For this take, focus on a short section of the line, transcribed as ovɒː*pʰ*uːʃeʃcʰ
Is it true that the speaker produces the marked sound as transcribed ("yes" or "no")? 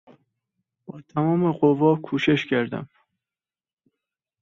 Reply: no